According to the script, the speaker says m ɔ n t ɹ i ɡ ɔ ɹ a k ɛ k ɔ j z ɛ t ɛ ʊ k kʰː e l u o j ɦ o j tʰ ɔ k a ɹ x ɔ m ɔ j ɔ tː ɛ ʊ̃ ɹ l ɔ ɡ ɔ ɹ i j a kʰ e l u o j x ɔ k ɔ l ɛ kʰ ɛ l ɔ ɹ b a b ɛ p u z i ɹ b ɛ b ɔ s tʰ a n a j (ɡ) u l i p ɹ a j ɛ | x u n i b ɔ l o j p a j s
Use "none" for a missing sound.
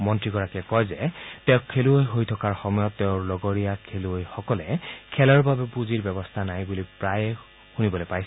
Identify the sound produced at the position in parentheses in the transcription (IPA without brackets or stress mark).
b